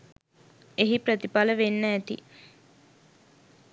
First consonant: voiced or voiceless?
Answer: voiced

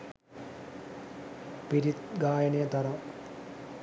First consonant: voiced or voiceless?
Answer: voiceless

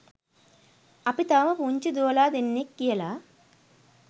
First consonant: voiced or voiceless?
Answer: voiceless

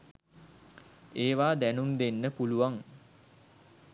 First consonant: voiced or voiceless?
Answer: voiced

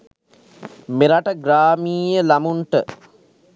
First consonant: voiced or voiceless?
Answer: voiced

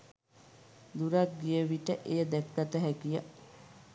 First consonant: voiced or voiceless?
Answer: voiced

